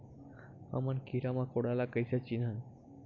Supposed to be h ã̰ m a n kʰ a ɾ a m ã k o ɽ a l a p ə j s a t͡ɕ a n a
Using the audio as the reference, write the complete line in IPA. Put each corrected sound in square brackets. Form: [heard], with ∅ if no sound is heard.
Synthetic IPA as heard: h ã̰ m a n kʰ [i] ɾ a m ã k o ɽ a l a [k] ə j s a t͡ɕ [i] n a